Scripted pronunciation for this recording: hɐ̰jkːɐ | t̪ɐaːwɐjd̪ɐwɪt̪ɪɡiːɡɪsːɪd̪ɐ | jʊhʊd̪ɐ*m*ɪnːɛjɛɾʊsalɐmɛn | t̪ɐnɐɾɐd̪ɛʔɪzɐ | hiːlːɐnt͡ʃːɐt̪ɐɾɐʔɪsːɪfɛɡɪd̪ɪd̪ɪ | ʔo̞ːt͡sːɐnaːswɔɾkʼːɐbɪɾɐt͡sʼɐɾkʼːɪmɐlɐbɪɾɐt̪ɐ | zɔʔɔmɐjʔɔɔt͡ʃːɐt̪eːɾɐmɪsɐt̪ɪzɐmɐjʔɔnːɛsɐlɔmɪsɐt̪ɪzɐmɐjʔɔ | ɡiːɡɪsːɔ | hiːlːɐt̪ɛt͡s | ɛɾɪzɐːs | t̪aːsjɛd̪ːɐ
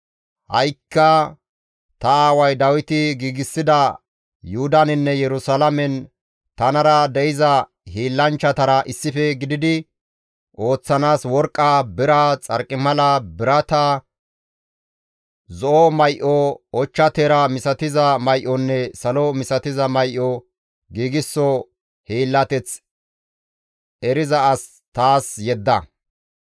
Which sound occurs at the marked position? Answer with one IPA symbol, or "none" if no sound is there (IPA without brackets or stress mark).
n